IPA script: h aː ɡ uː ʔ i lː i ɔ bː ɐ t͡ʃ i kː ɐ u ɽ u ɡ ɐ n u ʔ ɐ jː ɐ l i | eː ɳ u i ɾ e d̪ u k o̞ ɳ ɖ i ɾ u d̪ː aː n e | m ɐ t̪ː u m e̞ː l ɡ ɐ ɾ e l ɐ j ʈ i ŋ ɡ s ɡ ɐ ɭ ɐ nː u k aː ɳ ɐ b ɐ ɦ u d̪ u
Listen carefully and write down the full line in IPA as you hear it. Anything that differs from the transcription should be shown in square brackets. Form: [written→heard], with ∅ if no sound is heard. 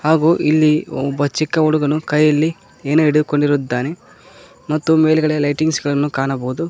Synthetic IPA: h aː ɡ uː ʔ i lː i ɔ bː ɐ t͡ʃ i kː ɐ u ɽ u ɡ ɐ n u [ʔ→k] ɐ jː ɐ [l→lː] i | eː [ɳ→n] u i [ɾ→ɽ] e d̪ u k o̞ ɳ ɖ i ɾ u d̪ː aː n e | m ɐ t̪ː u m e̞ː l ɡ ɐ [ɾ→ɭ] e l ɐ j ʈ i ŋ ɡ s ɡ ɐ ɭ ɐ nː u k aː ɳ ɐ b ɐ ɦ u d̪ u

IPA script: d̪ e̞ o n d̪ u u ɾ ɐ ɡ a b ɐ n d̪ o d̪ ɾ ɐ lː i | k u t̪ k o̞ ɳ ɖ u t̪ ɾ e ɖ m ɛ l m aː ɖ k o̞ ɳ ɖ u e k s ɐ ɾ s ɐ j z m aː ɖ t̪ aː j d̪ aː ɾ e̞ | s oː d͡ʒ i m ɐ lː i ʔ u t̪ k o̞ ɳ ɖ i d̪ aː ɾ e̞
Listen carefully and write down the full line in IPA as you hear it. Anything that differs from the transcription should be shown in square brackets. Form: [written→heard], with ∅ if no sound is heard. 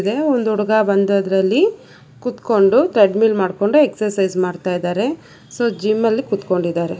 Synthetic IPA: d̪ e̞ o n d̪ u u [ɾ→ɽ] ɐ ɡ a b ɐ n d̪ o d̪ ɾ ɐ lː i | k u t̪ k o̞ ɳ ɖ u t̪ ɾ e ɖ m [ɛ→i] l m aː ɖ k o̞ ɳ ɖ u e k s ɐ ɾ s ɐ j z m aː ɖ t̪ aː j d̪ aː ɾ e̞ | s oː d͡ʒ i m ɐ lː i [ʔ→k] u t̪ k o̞ ɳ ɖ i d̪ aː ɾ e̞

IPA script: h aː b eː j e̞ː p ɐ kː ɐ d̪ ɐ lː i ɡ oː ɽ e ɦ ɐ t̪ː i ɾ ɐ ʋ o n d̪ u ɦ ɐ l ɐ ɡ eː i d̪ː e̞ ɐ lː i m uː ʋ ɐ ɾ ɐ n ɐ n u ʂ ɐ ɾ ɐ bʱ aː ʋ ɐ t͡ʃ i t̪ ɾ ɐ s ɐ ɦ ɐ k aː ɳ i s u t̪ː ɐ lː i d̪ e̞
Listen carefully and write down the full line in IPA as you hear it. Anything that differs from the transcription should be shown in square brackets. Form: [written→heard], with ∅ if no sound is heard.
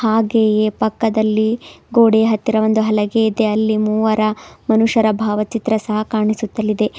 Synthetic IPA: h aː [b→ɡ] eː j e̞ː p ɐ kː ɐ d̪ ɐ lː i ɡ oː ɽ e ɦ ɐ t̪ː i ɾ ɐ ʋ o n d̪ u ɦ ɐ l ɐ ɡ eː i [d̪ː→d̪] e̞ ɐ lː i m uː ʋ ɐ ɾ ɐ [n→m] ɐ n u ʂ ɐ ɾ ɐ bʱ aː ʋ ɐ t͡ʃ i t̪ ɾ ɐ s ɐ ɦ ɐ k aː ɳ i s u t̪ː ɐ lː i d̪ e̞

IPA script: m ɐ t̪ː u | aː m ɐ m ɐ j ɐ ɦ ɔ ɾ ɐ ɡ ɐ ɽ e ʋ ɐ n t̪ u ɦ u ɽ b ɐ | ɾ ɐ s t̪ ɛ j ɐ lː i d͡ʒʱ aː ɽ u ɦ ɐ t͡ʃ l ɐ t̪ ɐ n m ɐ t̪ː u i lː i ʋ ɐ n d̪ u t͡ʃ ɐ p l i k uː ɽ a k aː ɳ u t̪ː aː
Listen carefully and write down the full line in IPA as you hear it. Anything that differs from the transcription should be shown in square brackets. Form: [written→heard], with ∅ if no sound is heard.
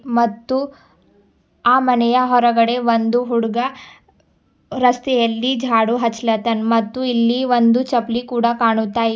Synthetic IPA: m ɐ t̪ː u | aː m ɐ [m→n] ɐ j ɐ ɦ ɔ ɾ ɐ ɡ ɐ ɽ e ʋ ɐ n [t̪→d̪] u ɦ u ɽ [b→ɡ] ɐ | ɾ ɐ s t̪ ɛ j ɐ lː i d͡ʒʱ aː ɽ u ɦ ɐ t͡ʃ l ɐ t̪ ɐ n m ɐ t̪ː u i lː i ʋ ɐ n d̪ u t͡ʃ ɐ p l i k uː ɽ a k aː ɳ u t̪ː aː

